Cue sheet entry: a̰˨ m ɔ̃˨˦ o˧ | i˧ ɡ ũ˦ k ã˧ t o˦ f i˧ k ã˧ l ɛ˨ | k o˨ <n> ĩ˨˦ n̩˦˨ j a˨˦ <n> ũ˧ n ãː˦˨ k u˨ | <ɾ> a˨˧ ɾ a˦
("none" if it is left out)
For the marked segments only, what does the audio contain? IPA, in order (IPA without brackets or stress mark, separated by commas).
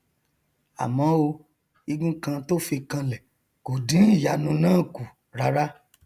d, n, ɾ